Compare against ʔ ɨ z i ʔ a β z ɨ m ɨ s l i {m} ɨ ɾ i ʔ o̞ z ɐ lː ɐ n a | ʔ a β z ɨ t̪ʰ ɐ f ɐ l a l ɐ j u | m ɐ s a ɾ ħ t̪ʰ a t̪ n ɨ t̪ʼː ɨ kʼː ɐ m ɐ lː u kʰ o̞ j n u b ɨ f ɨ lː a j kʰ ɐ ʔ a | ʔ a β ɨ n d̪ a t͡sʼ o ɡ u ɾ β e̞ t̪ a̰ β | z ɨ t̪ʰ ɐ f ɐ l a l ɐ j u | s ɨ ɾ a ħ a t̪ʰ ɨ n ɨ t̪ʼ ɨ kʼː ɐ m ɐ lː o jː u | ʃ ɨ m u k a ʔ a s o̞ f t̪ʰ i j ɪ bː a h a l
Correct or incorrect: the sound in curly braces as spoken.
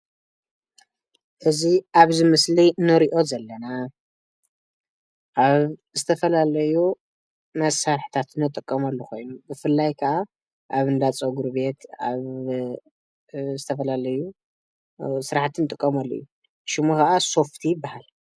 incorrect: n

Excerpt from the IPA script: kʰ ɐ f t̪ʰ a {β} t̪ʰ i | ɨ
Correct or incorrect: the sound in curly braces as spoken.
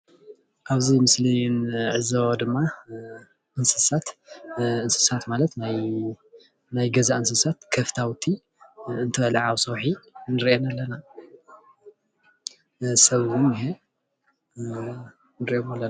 incorrect: w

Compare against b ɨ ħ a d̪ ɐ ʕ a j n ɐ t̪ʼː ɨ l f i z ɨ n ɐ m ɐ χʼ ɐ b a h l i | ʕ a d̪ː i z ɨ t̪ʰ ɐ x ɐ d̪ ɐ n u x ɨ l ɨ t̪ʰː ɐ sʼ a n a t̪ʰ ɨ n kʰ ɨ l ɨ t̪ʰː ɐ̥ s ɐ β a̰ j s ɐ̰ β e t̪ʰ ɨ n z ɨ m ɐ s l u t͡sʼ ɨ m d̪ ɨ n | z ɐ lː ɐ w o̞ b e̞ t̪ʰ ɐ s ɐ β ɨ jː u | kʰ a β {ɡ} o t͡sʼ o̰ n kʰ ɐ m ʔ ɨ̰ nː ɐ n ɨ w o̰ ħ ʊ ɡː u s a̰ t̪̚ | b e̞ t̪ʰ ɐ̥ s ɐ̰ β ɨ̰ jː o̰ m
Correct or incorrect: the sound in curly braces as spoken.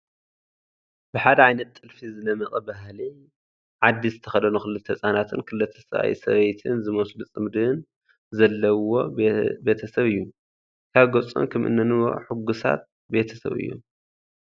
correct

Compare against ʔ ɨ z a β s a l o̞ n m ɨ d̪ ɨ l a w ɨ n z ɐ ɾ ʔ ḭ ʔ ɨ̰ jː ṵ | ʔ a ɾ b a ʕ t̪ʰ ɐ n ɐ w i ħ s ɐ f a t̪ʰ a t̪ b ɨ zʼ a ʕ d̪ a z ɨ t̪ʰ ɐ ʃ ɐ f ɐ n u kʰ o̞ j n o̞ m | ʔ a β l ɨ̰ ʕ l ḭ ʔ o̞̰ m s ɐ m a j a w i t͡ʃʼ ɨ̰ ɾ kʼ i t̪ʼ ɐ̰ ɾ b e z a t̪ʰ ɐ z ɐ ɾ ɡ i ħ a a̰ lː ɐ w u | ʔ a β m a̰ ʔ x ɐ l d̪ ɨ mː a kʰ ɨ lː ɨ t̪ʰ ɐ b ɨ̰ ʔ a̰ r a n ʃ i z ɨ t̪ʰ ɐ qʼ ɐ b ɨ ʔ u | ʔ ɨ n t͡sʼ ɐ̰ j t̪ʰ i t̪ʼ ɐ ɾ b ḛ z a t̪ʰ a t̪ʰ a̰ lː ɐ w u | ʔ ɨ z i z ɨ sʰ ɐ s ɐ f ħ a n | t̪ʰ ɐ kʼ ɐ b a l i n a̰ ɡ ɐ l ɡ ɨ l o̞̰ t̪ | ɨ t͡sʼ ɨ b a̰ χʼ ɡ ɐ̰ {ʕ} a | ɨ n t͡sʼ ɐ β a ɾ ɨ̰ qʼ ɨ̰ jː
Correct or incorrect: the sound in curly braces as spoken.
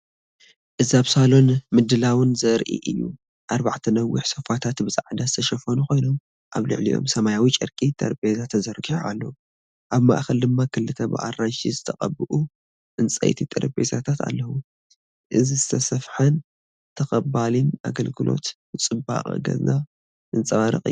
incorrect: z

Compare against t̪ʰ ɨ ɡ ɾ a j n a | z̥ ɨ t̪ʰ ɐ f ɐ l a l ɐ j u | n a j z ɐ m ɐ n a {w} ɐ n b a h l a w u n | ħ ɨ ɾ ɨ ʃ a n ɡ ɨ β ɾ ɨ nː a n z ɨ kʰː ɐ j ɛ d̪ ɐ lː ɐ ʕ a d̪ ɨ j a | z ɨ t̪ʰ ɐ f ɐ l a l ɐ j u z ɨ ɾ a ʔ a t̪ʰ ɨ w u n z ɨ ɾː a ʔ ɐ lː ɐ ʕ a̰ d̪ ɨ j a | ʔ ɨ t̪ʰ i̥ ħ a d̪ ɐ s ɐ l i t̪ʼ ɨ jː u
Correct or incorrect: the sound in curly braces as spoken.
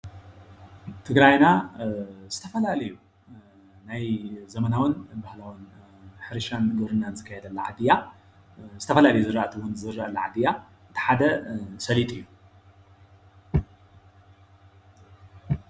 correct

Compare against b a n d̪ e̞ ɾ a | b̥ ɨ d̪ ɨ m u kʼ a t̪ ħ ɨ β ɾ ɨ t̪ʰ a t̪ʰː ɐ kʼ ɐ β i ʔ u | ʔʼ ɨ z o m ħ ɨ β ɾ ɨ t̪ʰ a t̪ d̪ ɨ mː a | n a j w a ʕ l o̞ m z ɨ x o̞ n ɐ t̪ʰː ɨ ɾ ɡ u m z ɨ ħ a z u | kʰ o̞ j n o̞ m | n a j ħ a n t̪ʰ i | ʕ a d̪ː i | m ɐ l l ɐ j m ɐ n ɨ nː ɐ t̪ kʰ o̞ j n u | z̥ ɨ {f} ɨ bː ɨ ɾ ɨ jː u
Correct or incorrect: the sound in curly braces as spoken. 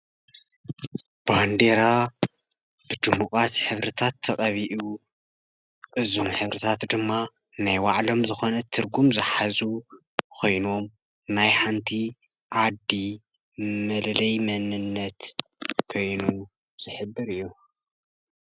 incorrect: ħ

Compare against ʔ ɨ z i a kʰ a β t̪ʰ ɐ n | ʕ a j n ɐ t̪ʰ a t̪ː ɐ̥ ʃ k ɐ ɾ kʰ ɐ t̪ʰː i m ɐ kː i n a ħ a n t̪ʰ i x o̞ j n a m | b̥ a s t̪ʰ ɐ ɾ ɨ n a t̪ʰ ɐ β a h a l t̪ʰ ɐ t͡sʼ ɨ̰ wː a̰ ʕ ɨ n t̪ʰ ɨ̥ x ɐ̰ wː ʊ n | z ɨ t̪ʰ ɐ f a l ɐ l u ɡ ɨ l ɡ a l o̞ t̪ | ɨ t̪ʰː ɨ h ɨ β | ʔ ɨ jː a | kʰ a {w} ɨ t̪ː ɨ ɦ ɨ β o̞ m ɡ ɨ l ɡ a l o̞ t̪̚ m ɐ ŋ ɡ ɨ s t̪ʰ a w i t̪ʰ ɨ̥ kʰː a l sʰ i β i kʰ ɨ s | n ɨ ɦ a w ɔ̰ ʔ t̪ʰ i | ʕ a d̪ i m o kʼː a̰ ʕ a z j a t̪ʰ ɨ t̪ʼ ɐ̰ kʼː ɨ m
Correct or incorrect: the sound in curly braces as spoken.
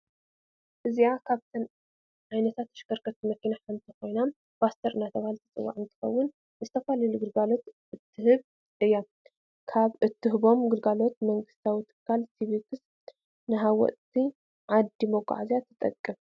incorrect: β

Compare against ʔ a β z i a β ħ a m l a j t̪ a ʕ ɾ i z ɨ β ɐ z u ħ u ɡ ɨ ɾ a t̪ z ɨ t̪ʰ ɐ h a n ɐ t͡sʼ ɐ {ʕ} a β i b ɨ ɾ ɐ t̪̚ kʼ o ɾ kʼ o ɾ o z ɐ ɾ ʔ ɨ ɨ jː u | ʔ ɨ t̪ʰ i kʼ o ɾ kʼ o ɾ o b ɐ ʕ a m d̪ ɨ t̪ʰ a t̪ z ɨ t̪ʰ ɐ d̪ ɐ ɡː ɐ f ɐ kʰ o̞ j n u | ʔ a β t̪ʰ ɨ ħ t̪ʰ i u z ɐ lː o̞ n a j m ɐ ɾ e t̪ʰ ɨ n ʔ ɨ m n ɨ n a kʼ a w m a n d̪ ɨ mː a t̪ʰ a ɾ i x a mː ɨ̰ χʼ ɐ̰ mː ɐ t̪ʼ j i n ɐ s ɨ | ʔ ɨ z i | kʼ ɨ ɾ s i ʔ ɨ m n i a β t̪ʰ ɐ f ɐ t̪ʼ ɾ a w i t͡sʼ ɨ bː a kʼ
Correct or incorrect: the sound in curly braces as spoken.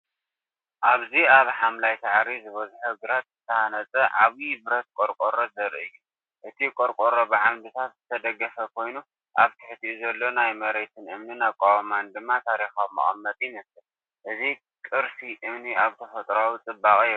correct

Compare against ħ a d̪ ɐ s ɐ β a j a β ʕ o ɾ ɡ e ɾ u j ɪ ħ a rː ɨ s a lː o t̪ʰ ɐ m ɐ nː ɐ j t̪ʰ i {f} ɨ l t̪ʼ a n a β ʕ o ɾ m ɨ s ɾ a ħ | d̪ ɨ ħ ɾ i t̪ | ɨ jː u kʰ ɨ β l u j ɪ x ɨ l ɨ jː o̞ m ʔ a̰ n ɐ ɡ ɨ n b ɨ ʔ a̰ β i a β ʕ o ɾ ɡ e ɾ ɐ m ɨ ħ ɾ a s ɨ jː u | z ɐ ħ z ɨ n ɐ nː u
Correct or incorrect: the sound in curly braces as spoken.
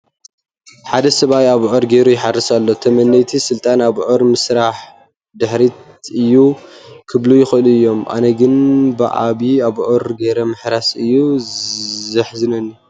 incorrect: s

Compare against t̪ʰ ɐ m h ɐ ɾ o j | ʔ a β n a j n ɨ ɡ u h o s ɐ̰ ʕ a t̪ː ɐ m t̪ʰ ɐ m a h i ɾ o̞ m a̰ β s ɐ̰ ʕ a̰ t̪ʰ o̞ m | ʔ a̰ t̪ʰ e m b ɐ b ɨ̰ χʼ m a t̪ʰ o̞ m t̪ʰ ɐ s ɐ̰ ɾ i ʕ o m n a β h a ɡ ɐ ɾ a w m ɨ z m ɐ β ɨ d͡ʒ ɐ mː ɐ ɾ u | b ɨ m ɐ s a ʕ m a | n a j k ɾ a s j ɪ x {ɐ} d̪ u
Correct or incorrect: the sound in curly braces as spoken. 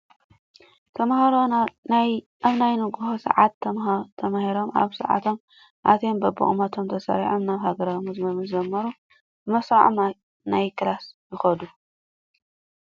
correct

